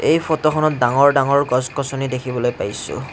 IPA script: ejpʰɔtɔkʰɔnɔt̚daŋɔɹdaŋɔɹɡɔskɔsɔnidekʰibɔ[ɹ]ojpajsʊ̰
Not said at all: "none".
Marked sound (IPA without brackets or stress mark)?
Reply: l